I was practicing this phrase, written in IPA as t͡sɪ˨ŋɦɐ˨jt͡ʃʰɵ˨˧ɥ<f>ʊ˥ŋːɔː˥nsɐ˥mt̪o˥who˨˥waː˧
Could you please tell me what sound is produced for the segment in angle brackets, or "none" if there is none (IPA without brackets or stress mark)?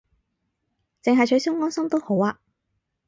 s